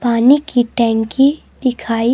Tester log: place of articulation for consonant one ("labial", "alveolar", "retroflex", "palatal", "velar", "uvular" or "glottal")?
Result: labial